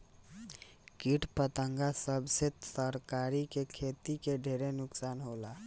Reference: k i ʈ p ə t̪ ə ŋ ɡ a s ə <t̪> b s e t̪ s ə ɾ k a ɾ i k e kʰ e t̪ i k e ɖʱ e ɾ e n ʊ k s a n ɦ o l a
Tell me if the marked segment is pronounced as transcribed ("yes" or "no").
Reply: no